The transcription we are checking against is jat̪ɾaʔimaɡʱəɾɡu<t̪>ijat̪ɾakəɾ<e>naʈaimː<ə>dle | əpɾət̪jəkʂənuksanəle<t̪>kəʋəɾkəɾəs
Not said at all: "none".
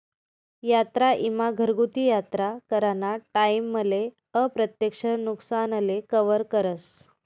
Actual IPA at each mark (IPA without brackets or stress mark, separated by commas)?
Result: t̪, a, ə, none